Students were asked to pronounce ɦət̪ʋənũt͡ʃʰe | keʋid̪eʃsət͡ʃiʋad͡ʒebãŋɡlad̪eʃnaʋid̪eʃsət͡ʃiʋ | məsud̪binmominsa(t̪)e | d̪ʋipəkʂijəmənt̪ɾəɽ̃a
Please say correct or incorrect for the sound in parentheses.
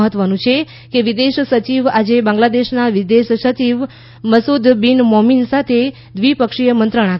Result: incorrect